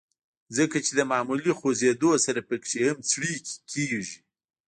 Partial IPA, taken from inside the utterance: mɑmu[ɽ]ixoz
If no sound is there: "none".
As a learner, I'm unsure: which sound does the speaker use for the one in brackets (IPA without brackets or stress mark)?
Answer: l